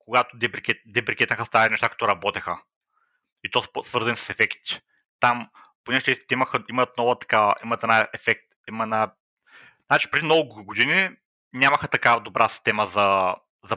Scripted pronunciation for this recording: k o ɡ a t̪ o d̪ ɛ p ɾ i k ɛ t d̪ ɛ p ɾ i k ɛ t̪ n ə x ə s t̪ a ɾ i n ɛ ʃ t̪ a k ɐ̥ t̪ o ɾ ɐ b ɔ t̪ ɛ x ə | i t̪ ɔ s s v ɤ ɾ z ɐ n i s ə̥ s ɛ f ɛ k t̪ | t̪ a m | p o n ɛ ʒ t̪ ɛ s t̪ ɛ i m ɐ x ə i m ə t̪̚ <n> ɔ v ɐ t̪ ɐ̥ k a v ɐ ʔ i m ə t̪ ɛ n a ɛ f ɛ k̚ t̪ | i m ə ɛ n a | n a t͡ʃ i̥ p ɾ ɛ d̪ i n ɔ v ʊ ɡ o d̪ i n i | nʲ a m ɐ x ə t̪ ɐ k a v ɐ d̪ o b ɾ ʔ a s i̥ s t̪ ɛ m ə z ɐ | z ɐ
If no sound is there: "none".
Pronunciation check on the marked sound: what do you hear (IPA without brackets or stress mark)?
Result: n